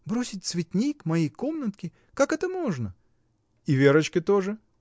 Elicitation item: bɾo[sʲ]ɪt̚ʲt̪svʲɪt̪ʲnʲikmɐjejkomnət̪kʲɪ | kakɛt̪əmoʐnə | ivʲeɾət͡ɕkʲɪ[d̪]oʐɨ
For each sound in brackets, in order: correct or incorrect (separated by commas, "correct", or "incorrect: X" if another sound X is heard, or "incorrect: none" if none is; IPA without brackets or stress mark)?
correct, incorrect: t̪